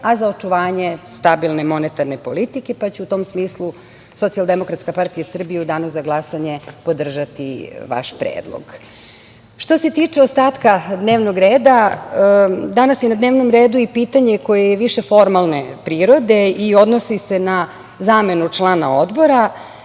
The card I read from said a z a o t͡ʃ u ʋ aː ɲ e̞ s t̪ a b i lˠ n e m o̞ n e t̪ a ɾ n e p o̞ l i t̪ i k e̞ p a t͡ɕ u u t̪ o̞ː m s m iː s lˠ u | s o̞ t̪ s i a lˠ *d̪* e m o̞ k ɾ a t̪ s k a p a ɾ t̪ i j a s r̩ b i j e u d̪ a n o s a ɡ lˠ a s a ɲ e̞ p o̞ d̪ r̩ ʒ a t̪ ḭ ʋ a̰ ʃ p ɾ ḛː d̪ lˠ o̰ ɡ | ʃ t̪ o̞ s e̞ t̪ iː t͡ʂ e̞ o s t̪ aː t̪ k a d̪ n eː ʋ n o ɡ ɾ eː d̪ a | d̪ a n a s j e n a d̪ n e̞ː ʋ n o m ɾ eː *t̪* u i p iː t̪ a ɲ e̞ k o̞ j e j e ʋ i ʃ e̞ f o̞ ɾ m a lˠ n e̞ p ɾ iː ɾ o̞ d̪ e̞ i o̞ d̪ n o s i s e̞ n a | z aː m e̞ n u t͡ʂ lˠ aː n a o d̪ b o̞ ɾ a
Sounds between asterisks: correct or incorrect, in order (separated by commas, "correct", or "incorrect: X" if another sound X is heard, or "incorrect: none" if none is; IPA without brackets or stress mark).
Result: correct, incorrect: d̪